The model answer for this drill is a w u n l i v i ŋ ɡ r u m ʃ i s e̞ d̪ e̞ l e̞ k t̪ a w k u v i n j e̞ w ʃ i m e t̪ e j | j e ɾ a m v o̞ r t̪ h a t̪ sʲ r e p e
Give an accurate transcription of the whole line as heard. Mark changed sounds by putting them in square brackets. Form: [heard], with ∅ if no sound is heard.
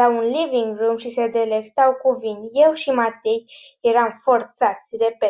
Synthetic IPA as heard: a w u n l i v i ŋ ɡ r u m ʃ i s e̞ d̪ e̞ l e̞ k t̪ a w k u v i n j e̞ w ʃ i m [a] t̪ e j | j e ɾ a m [f] o̞ r t̪ [s] a t̪ sʲ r e p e